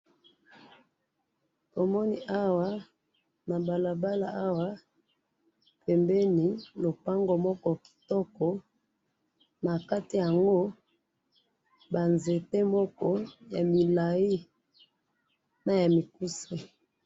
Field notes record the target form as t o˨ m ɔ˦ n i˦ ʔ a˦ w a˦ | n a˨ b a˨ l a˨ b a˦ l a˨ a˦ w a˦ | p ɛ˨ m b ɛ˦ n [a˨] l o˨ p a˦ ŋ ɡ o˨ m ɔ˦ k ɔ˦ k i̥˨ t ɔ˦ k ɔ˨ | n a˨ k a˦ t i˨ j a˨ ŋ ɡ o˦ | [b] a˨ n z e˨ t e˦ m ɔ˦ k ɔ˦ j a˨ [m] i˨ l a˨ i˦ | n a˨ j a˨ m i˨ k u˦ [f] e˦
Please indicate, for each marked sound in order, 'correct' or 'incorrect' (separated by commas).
incorrect, correct, correct, incorrect